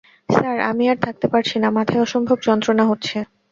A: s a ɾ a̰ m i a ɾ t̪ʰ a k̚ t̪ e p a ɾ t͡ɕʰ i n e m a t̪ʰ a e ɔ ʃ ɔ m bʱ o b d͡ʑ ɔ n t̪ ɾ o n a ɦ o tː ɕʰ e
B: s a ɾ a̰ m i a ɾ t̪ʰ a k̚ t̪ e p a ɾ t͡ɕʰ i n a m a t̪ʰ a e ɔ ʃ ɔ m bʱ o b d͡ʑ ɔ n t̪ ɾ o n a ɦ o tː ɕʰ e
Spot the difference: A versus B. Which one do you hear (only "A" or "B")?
B